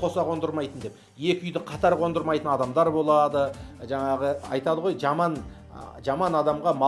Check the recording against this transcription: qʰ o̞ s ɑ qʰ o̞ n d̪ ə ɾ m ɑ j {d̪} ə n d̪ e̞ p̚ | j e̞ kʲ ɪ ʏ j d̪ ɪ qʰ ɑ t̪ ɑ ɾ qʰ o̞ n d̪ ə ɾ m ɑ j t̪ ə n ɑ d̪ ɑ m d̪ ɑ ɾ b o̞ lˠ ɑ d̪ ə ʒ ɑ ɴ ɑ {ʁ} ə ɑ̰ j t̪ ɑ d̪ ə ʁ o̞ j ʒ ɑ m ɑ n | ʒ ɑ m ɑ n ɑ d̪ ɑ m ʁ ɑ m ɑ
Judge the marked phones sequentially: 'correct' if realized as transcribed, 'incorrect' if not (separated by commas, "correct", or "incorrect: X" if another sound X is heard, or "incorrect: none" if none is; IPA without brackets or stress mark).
incorrect: t̪, correct